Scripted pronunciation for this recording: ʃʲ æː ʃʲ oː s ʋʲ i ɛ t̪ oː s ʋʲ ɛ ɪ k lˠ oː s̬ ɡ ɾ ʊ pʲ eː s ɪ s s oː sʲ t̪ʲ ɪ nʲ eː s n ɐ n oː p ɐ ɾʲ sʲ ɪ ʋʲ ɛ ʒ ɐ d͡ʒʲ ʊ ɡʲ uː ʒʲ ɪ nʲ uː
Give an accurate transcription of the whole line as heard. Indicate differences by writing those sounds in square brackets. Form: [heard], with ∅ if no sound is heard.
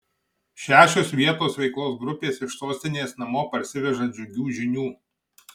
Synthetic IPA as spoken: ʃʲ æː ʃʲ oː s ʋʲ i ɛ t̪ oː s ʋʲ ɛ ɪ k lˠ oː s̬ ɡ ɾ ʊ pʲ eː s ɪ [ʃ] s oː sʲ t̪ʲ ɪ nʲ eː s n ɐ [m] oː p ɐ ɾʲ sʲ ɪ ʋʲ ɛ ʒ ɐ d͡ʒʲ ʊ ɡʲ uː ʒʲ ɪ nʲ uː